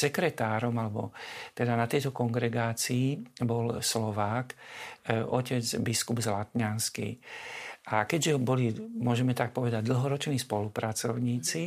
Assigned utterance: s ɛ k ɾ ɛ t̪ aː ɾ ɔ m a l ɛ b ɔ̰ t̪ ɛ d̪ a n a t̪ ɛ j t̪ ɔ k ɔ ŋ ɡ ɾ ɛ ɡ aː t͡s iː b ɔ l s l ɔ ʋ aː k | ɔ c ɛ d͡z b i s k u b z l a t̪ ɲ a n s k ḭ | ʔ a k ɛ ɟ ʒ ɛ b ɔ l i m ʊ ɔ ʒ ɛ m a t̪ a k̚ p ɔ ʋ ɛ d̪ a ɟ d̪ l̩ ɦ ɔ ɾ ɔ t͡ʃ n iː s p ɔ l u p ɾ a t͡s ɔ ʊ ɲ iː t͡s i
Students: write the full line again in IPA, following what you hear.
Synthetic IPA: s ɛ k ɾ ɛ t̪ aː ɾ ɔ m a l ɛ b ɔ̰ t̪ ɛ d̪ a n a t̪ ɛ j t̪ ɔ k ɔ ŋ ɡ ɾ ɛ ɡ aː t͡s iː b ɔ l s l ɔ ʋ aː k | ɔ c ɛ d͡z b i s k u b z l a t̪ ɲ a n s k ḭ | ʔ a k ɛ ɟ ʒ ɛ b ɔ l i m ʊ ɔ ʒ ɛ m ɛ t̪ a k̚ p ɔ ʋ ɛ d̪ a ɟ d̪ l̩ ɦ ɔ ɾ ɔ t͡ʃ n iː s p ɔ l u p ɾ a t͡s ɔ ʊ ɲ iː t͡s i